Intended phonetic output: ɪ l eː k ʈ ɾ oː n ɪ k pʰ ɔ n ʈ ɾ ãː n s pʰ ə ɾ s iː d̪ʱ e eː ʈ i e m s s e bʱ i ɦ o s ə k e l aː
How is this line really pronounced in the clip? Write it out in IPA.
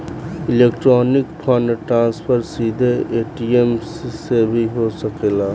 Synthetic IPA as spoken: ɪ l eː k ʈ ɾ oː n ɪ k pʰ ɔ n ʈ ɾ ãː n s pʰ ə ɾ s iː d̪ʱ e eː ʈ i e m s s e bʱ i ɦ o s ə k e l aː